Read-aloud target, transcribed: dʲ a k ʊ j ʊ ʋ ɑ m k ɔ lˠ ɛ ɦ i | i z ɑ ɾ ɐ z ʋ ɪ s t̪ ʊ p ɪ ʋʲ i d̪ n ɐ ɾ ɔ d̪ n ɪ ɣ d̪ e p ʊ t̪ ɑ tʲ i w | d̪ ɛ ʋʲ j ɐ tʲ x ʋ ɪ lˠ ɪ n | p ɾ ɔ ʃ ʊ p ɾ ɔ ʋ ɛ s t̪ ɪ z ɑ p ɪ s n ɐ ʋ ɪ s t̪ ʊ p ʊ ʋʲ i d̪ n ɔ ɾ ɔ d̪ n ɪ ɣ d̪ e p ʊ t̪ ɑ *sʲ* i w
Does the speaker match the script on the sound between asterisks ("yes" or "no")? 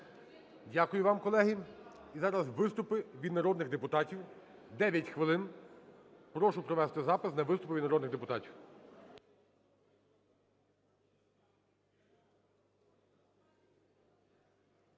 no